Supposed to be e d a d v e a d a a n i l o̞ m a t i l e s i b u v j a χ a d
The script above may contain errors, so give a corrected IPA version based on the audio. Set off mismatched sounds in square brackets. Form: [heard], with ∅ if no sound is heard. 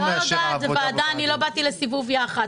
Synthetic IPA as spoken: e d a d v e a d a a n i l o̞ [b] a t i l e s i [v] u v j a χ a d